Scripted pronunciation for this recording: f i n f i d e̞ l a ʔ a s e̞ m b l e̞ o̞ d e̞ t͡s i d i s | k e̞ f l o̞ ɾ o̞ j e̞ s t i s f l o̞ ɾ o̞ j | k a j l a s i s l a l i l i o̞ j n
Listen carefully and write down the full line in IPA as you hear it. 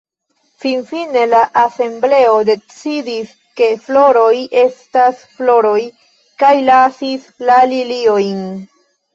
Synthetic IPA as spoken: f i n f i n e̞ l a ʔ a s e̞ m b l e̞ o̞ d e̞ t͡s i d i s | k e̞ f l o̞ ɾ o̞ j e̞ s t a s f l o̞ ɾ o̞ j | k a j l a s i s l a l i l i o̞ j n

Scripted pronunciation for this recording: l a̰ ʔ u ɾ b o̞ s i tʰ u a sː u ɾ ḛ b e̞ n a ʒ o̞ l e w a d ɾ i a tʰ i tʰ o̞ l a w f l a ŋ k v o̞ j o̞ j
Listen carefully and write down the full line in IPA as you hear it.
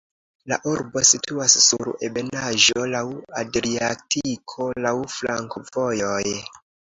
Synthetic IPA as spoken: l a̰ ʔ u ɾ b o̞ s i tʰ u a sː u ɾ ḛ b e̞ n a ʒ o̞ l a w a d ɾ i a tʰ i kʰ o̞ l a w f l a ŋ k v o̞ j o̞ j

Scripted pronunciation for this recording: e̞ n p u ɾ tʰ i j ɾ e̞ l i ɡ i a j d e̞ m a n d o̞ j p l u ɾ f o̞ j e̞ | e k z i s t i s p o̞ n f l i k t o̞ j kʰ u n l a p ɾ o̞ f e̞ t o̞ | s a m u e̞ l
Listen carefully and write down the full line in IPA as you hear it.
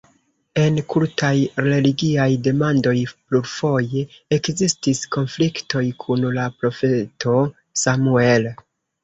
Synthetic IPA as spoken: e̞ n k u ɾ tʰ a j ɾ e̞ l i ɡ i a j d e̞ m a n d o̞ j p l u ɾ f o̞ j e̞ | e k z i s t i s k o̞ n f l i k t o̞ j kʰ u n l a p ɾ o̞ f e̞ t o̞ | s a m u e̞ l

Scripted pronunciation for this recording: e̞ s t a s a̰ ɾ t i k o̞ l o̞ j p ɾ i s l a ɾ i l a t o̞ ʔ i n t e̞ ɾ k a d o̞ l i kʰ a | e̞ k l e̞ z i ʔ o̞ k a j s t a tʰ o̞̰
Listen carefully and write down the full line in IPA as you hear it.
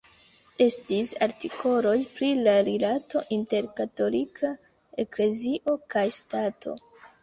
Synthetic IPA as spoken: e̞ s t i s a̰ ɾ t i k o̞ l o̞ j p ɾ i l a ɾ i l a t o̞ ʔ i n t e̞ ɾ k a t o̞ l i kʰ a | e̞ k l e̞ z i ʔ o̞ k a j s t a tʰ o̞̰

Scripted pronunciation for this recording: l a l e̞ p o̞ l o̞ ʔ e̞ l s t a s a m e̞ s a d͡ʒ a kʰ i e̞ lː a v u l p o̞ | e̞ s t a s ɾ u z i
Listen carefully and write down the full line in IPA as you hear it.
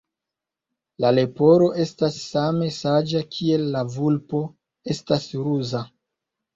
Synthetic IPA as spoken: l a l e̞ p o̞ ɾ o̞ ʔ e̞ s t a sː a m e̞ s a d͡ʒ a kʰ i e̞ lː a v u l p o̞ | e̞ s t a s ɾ u z a

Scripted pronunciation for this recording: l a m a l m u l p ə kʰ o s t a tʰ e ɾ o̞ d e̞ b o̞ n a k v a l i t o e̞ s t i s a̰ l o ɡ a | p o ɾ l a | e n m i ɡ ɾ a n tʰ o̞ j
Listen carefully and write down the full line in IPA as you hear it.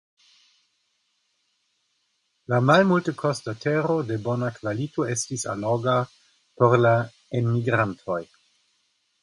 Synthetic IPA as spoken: l a m a l m u l t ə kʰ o s t a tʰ e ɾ o̞ d e̞ b o̞ n a k v a l i t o e̞ s t i s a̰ l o ɡ a | p o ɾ l a | e n m i ɡ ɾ a n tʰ o̞ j

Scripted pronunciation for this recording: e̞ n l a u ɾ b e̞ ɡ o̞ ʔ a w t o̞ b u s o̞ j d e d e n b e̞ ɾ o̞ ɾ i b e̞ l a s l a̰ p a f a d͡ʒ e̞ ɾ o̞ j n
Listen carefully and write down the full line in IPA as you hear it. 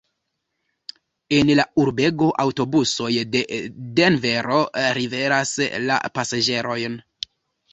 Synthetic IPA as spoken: e̞ n l a u ɾ b e̞ ɡ o̞ ʔ a w t o̞ b u s o̞ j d e d e n v e̞ ɾ o̞ ɾ i v e̞ ɾ a s l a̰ p a s a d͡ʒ e̞ ɾ o̞ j n

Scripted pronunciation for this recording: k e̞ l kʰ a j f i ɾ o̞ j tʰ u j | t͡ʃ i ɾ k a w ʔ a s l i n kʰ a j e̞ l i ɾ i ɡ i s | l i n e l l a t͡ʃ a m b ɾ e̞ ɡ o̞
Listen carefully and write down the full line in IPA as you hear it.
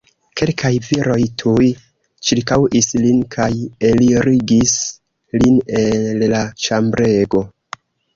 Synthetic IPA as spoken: k e̞ l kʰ a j v i ɾ o̞ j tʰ u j | t͡ʃ i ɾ k a w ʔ i s l i n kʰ a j e̞ l i ɾ i ɡ i s | l i n e l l a t͡ʃ a m b ɾ e̞ ɡ o̞

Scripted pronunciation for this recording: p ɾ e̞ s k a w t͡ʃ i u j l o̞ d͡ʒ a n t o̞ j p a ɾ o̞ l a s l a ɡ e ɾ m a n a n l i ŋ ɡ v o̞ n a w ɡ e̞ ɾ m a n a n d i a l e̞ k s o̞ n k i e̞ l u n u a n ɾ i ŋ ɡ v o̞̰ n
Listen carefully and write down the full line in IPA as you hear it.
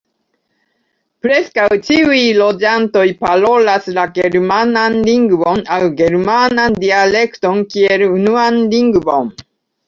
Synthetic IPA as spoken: p ɾ e̞ s k a w t͡ʃ i u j l o̞ d͡ʒ a n t o̞ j p a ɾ o̞ l a s l a ɡ e ɾ m a n a n l i ŋ ɡ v o̞ n a w ɡ e̞ ɾ m a n a n d i a l e̞ k t o̞ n k i e̞ l u n u a n l i ŋ ɡ v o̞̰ n

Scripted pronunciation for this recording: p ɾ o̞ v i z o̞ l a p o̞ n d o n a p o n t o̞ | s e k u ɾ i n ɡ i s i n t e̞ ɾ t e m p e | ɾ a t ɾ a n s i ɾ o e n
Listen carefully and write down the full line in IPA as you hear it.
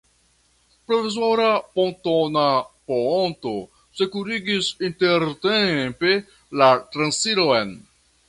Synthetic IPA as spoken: p ɾ o̞ v i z o̞ ɾ a p o̞ n t o n a p o n t o̞ | s e k u ɾ i ɡ i s i n t e̞ ɾ t e m p e | l a t ɾ a n s i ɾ o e n

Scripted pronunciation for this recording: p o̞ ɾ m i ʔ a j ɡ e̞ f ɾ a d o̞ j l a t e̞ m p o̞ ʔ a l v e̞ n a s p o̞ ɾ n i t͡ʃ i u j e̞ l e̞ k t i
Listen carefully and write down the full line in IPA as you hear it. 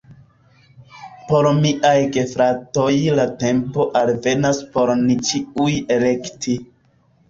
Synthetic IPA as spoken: p o̞ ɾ m i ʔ a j ɡ e̞ f ɾ a t o̞ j l a t e̞ m p o̞ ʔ a l v e̞ n a s p o̞ ɾ n i t͡ʃ i u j e̞ l e̞ k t i

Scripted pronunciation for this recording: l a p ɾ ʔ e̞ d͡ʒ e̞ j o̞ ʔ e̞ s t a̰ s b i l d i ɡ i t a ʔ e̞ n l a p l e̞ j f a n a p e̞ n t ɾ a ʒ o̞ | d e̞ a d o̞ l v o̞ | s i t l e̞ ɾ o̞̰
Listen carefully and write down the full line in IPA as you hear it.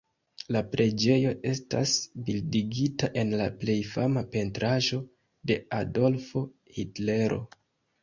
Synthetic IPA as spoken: l a p ɾ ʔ e̞ d͡ʒ e̞ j o̞ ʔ e̞ s t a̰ s b i l d i ɡ i t a ʔ e̞ n l a p l e̞ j f a m a p e̞ n t ɾ a ʒ o̞ | d e̞ a d o̞ l f o̞ | h i t l e̞ ɾ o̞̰

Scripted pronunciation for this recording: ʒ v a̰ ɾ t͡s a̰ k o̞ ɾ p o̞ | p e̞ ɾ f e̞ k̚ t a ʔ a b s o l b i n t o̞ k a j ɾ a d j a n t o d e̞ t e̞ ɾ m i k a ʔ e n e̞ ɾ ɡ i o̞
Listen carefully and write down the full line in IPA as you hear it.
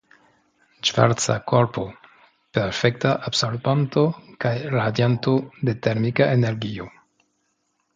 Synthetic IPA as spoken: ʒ v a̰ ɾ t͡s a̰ k o̞ ɾ p o̞ | p e̞ ɾ f e̞ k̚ t a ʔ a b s o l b a n t o̞ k a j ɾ a d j a n t o d e̞ t e̞ ɾ m i k a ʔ e n e̞ ɾ ɡ i o̞

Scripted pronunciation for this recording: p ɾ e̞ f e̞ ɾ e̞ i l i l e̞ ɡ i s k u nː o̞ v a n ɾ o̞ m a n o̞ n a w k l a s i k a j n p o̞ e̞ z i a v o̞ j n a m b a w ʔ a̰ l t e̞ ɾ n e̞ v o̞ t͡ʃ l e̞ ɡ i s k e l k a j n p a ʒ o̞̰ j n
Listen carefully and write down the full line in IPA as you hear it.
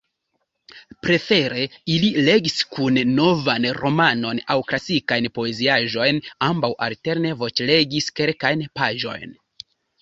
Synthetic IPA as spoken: p ɾ e̞ f e̞ ɾ e̞ i l i l e̞ ɡ i s k u nː o̞ v a n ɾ o̞ m a n o̞ n a w k l a s i k a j n p o̞ e̞ z i a ʒ o̞ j n a m b a w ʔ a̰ l t e̞ ɾ n e̞ v o̞ t͡ʃ l e̞ ɡ i s k e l k a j n p a ʒ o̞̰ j n

